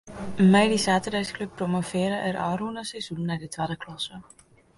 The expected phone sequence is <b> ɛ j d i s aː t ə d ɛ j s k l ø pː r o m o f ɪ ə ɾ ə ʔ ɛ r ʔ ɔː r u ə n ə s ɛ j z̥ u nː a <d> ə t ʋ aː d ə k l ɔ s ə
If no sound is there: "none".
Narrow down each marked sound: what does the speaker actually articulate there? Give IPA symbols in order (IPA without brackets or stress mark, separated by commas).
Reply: m, d